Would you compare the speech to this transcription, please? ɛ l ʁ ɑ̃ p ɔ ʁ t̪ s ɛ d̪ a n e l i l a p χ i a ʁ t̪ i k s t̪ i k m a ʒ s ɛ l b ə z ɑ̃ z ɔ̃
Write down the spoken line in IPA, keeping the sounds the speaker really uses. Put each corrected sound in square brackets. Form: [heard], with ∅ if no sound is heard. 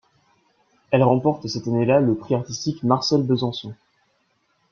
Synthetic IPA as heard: ɛ l ʁ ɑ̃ p ɔ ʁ t̪ s ɛ [t̪] a n e l [a] l [ə] p χ i a ʁ t̪ i [∅] s t̪ i k m a [ʁ] s ɛ l b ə z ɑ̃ [s] ɔ̃